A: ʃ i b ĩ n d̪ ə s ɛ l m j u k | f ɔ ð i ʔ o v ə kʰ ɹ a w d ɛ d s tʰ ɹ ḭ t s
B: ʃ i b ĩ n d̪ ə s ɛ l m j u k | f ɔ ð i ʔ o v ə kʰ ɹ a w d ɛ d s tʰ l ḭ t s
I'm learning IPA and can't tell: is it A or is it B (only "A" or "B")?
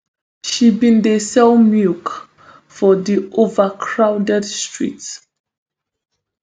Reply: A